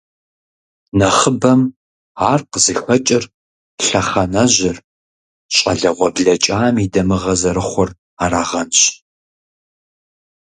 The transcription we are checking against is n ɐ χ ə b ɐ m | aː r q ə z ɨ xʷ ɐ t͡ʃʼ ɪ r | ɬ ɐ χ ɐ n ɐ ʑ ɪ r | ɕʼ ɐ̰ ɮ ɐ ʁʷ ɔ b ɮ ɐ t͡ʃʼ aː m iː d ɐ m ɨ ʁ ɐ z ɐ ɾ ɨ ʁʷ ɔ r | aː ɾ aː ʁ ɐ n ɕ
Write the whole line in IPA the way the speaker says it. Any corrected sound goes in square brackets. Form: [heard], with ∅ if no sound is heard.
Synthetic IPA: n ɐ χ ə b ɐ m | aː r q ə z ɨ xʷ ɐ t͡ʃʼ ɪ r | ɬ ɐ χ ɐ n ɐ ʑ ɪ r | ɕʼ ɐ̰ ɮ ɐ ʁʷ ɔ b ɮ ɐ t͡ʃʼ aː m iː d ɐ m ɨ ʁ ɐ z ɐ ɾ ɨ [χʷ] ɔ r | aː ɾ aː ʁ ɐ n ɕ